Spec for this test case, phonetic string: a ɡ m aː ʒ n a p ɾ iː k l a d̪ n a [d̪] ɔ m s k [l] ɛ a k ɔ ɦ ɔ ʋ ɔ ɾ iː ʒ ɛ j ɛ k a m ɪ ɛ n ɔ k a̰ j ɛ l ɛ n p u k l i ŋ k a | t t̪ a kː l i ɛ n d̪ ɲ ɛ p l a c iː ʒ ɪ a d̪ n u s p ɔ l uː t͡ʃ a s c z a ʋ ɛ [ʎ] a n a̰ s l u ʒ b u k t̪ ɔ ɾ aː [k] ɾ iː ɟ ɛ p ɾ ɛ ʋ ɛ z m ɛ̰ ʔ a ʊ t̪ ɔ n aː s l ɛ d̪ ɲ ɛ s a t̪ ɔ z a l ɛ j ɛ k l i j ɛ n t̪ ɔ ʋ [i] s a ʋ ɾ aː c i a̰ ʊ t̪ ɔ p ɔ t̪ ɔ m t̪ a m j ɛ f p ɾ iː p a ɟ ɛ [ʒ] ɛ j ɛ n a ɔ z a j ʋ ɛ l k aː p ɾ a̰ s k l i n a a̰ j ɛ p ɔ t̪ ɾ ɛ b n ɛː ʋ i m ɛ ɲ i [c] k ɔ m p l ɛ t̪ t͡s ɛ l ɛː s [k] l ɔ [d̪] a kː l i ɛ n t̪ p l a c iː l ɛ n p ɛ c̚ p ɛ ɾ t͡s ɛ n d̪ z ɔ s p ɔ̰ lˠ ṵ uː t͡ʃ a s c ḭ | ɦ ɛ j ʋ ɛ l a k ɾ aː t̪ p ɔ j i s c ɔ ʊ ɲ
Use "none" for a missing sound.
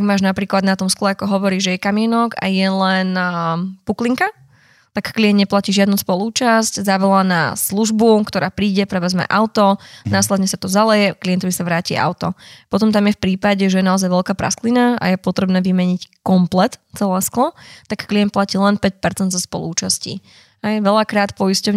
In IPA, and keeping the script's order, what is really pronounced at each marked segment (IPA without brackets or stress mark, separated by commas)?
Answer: t̪, l, l, p, i, ʒ, c, k, t̪